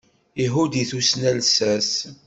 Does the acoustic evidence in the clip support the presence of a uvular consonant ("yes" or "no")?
no